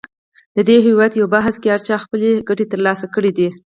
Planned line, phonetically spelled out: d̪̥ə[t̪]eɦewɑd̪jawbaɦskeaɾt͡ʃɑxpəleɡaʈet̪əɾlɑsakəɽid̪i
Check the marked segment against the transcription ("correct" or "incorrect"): incorrect